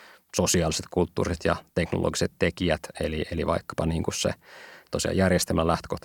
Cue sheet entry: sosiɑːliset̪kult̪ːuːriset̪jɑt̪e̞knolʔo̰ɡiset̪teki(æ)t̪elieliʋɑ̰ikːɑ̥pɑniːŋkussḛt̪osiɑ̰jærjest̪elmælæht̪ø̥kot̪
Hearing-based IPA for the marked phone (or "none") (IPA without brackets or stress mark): æ